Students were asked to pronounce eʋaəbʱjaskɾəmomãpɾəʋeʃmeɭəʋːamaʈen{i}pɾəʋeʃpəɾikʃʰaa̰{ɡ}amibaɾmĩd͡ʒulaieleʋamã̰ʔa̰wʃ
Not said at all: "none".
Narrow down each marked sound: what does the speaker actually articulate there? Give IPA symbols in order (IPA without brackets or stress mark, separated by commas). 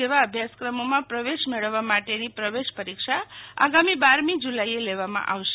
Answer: i, ɡ